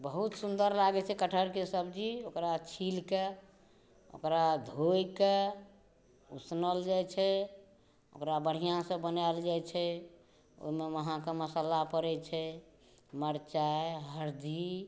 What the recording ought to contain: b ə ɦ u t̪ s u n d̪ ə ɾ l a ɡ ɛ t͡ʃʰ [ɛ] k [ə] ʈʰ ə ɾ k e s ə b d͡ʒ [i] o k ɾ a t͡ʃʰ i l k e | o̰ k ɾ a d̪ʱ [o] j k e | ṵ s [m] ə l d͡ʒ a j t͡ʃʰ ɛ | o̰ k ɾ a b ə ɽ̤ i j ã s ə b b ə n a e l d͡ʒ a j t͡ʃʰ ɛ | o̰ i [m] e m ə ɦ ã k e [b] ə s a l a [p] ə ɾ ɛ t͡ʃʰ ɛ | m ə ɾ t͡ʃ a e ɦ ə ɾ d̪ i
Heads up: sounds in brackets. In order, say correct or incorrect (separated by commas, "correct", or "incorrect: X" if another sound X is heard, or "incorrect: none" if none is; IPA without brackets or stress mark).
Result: correct, correct, correct, correct, incorrect: n, correct, incorrect: m, correct